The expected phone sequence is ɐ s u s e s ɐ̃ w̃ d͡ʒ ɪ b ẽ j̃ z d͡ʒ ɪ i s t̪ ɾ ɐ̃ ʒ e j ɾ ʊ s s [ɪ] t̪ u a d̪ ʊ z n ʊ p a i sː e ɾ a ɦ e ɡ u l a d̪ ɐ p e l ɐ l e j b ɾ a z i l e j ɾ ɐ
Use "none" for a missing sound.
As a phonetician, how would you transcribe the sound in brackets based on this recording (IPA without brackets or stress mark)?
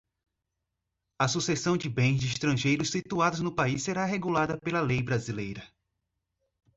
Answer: i